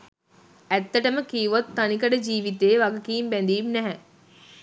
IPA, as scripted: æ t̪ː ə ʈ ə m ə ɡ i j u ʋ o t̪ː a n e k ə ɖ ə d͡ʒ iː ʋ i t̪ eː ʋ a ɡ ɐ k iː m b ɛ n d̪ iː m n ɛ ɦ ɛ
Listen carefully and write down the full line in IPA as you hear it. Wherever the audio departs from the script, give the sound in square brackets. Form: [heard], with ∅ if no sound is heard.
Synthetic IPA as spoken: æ t̪ː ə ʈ ə m ə [k] i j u ʋ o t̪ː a n [i] k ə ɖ ə d͡ʒ iː ʋ i t̪ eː ʋ a ɡ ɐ k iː m b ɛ n d̪ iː m n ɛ ɦ ɛ

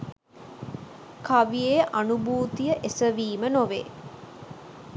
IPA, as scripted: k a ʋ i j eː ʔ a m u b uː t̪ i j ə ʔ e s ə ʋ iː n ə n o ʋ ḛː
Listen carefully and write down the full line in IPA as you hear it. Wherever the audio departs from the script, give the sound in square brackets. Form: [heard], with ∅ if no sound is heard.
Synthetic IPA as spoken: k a ʋ i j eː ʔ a [n] u b uː t̪ i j ə ʔ e s ə ʋ iː [m] ə n o ʋ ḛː

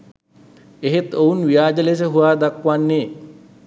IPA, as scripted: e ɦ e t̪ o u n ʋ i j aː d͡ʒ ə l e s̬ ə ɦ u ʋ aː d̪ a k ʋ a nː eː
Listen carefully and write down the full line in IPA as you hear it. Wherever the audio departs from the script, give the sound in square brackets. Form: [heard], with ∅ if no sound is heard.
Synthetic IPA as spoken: e ɦ e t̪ o u n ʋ i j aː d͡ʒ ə l e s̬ ə ɦ u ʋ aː d̪ a k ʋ a nː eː

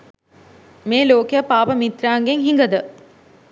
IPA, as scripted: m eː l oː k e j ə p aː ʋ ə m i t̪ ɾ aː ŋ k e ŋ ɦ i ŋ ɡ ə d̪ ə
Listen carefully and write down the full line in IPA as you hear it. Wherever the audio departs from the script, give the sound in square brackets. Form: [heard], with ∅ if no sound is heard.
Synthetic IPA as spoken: m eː l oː k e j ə p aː ʋ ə m i t̪ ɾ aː ŋ [ɡ] e ŋ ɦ i ŋ ɡ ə d̪ ə

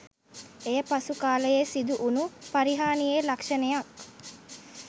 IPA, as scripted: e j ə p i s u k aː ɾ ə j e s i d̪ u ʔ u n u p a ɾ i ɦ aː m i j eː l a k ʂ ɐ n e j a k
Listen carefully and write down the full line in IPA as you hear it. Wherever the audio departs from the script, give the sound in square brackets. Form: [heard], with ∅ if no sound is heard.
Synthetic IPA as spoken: e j ə p [a] s u k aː [l] ə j e s i d̪ u ʔ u n u p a ɾ i ɦ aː [n] i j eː l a k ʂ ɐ n e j a k

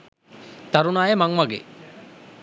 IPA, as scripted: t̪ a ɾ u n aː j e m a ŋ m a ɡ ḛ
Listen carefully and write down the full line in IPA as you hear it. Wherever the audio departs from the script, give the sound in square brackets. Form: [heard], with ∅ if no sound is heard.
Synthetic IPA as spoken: t̪ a ɾ u n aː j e m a ŋ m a ɡ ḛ

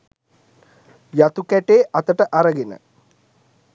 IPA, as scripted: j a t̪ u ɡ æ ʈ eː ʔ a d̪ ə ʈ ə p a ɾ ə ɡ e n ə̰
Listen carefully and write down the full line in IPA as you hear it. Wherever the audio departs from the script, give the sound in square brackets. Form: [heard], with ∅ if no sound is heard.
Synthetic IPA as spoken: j a t̪ u [k] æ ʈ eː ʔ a [t̪] ə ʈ ə [ʔ] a ɾ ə ɡ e n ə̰

